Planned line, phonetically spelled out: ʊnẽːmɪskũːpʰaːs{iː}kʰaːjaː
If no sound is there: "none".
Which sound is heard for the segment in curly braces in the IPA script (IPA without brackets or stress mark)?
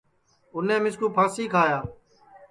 iː